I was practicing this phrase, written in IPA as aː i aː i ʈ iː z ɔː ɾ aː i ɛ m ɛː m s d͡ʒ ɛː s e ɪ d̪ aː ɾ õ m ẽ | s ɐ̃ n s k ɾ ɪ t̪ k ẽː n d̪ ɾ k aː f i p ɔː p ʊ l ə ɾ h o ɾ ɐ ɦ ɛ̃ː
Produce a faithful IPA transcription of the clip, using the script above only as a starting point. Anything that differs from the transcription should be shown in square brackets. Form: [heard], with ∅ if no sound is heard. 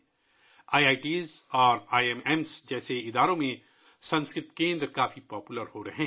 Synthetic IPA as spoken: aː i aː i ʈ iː z ɔː ɾ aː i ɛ m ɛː m s d͡ʒ ɛː s e ɪ d̪ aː ɾ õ m ẽ | s ɐ̃ n s k ɾ ɪ t̪ k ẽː n d̪ ɾ k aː f i p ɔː p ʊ l ə ɾ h o ɾ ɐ ɦ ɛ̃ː